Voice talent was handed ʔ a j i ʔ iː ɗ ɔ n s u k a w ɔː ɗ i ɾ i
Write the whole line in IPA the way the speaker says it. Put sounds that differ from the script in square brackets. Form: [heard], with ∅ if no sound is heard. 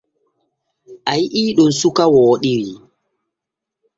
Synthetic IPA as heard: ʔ a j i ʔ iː ɗ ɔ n s u k a w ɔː ɗ i ɾ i